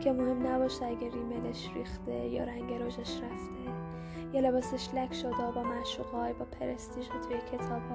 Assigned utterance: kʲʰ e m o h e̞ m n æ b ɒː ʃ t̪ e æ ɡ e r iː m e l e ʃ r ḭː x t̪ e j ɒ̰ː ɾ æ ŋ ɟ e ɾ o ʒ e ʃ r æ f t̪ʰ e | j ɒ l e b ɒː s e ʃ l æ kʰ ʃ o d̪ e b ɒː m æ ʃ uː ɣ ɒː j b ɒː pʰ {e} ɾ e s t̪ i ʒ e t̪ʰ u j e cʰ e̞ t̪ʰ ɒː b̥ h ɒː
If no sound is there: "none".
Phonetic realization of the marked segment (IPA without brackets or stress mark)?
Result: e